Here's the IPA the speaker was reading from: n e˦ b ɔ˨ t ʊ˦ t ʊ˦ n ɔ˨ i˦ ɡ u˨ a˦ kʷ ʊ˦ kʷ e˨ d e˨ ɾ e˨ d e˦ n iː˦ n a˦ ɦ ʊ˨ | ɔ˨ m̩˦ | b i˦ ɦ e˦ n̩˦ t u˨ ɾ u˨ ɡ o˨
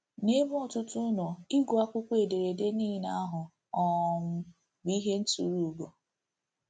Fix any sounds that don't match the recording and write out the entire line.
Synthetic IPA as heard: n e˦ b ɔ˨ t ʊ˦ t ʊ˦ n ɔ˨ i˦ ɡ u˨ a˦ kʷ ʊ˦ kʷ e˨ d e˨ ɾ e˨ d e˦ n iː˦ n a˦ ɦ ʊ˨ | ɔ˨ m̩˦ | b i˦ ɦ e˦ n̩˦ t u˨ ɾ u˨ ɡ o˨

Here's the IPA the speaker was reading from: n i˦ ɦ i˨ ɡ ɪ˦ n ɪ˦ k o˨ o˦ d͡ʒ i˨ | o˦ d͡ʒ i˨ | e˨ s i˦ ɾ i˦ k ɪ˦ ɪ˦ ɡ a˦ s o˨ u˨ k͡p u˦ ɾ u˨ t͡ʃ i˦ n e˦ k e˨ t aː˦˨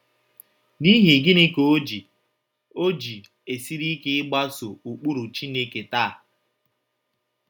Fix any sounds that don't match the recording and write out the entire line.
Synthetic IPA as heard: n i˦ ɦ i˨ ɡ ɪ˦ n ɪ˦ k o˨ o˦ d͡ʒ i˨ | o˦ d͡ʒ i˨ | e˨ s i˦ ɾ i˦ k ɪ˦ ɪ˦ ɡ͡b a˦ s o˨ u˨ k͡p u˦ ɾ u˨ t͡ʃ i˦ n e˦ k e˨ t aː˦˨

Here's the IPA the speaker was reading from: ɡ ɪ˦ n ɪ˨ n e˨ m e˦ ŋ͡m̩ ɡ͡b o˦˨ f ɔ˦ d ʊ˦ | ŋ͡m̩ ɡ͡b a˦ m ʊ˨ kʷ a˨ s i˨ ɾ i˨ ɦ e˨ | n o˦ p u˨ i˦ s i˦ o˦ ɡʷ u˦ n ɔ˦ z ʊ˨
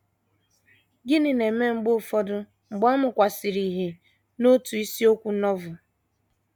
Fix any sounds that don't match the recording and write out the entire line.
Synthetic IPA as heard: ɡ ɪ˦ n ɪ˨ n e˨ m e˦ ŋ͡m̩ ɡ͡b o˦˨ f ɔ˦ d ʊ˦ | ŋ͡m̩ ɡ͡b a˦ m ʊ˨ kʷ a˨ s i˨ ɾ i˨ ɦ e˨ | n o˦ t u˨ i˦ s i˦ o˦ kʷ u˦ n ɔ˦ v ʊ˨

